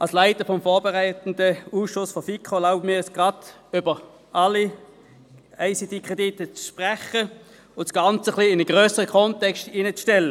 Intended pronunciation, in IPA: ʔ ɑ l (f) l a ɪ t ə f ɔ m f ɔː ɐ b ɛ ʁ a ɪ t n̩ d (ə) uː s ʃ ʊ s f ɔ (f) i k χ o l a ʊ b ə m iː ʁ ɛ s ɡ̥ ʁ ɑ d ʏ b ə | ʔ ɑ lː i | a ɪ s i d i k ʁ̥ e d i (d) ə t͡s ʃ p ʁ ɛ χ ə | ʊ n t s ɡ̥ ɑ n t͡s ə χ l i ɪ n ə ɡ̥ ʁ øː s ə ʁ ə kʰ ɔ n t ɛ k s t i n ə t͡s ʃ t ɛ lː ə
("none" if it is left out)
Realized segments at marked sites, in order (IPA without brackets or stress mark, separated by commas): s, ə, f, t